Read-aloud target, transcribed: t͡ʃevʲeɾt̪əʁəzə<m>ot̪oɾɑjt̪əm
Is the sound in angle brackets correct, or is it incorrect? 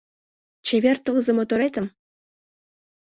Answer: correct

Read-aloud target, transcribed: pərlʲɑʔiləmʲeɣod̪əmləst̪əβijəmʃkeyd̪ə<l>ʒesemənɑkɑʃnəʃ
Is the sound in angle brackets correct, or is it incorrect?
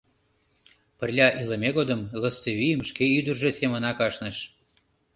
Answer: incorrect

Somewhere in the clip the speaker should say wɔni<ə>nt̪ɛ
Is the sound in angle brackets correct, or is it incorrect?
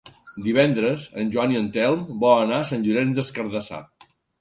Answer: correct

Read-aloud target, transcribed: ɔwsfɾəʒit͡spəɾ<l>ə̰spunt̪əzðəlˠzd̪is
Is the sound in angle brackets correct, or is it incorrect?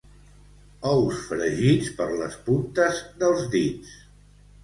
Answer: correct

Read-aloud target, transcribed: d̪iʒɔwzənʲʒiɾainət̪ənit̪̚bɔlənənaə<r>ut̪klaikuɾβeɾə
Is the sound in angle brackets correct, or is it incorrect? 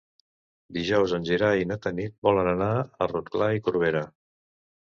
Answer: correct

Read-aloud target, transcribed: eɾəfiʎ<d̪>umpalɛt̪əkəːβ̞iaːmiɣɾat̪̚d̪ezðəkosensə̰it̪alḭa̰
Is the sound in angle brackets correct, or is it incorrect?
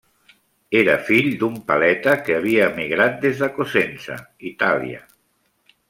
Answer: correct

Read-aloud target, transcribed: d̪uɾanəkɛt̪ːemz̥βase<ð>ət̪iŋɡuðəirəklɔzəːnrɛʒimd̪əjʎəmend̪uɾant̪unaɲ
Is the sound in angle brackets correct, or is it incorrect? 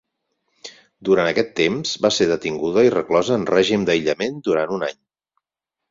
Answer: correct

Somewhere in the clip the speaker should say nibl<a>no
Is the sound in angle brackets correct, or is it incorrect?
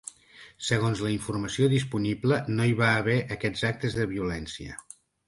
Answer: incorrect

